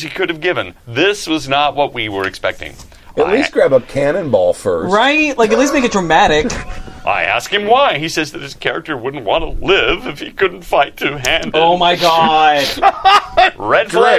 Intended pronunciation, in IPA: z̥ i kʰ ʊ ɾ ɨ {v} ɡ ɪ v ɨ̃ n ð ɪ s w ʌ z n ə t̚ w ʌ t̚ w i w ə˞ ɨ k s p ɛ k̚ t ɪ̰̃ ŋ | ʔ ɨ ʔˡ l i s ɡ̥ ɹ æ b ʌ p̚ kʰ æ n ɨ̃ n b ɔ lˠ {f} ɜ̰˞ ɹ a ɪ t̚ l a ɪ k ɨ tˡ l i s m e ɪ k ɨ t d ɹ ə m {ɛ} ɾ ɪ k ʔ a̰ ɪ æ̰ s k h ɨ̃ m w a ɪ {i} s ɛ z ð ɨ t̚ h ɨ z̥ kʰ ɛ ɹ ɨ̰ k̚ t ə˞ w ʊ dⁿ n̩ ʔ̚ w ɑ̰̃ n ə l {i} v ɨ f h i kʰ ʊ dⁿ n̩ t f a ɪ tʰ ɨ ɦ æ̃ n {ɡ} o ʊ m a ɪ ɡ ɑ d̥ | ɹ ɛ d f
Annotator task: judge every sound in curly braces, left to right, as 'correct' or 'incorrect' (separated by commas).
correct, correct, incorrect, correct, incorrect, incorrect